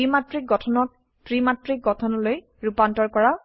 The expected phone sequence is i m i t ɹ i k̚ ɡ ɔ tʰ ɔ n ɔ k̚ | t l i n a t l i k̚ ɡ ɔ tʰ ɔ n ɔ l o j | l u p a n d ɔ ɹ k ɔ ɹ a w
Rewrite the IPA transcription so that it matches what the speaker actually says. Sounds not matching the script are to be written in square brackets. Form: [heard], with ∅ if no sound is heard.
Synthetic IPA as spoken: i m [a] t ɹ i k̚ ɡ ɔ tʰ ɔ n ɔ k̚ | t [ɹ] i [m] a t [ɹ] i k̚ ɡ ɔ tʰ ɔ n ɔ l o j | [ɹ] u p a n [t] ɔ ɹ k ɔ ɹ a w